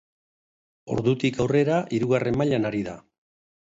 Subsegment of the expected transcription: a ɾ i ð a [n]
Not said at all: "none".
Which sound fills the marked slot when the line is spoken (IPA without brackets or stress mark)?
none